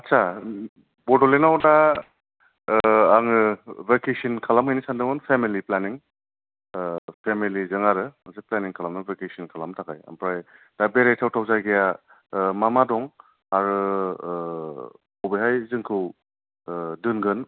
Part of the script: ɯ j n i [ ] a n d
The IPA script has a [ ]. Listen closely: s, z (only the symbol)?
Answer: s